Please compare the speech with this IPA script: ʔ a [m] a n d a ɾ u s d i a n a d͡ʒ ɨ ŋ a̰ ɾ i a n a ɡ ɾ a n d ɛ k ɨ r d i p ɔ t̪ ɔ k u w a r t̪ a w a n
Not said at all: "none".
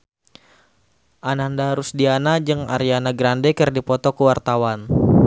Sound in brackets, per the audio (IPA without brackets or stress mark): n